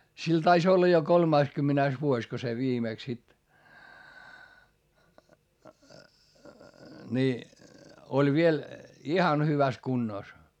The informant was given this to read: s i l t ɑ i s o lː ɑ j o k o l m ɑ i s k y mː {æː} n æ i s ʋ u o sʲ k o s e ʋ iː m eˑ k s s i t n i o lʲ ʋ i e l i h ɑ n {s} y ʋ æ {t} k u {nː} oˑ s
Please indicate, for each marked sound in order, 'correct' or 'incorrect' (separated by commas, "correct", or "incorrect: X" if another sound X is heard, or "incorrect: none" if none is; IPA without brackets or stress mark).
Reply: incorrect: æ, incorrect: h, incorrect: s, correct